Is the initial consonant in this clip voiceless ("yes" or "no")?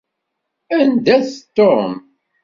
no